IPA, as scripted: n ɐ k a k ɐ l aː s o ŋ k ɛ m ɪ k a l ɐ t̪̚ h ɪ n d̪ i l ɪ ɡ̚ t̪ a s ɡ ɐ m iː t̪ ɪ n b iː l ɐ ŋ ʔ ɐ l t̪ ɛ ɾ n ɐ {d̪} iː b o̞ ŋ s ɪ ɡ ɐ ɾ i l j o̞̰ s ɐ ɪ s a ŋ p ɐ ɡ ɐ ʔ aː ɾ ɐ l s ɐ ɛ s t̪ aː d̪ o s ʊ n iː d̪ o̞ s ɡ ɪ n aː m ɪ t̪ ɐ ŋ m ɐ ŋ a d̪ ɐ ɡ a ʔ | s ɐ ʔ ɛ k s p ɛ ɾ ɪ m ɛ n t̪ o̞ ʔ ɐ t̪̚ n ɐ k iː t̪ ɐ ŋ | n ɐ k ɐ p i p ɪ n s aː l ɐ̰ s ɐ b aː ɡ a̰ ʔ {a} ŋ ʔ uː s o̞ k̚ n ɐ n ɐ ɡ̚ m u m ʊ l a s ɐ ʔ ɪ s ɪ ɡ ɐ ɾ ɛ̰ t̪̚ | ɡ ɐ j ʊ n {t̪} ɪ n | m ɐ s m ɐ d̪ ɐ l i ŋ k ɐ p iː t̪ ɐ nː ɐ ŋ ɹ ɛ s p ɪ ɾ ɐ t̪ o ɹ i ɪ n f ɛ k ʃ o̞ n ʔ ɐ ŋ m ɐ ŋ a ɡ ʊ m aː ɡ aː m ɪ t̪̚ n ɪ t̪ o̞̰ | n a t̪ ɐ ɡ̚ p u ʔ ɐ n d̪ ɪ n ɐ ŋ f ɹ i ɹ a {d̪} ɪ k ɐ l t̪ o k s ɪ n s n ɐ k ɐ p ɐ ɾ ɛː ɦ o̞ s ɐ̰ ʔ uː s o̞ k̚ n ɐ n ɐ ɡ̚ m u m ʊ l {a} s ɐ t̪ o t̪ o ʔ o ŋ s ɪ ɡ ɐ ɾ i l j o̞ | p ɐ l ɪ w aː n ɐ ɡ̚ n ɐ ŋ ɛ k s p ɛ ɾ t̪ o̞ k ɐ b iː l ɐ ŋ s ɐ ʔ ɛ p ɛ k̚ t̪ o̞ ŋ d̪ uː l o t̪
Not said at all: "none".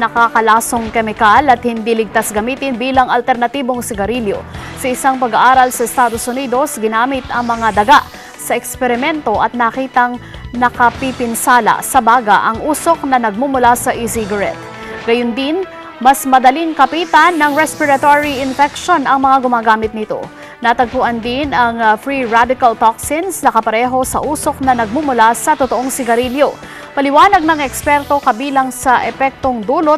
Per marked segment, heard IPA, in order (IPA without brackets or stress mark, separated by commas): t̪, ɐ, d̪, d̪, a